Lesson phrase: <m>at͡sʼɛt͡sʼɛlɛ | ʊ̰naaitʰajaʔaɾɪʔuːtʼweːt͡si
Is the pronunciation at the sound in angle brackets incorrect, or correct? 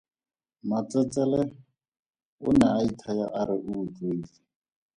correct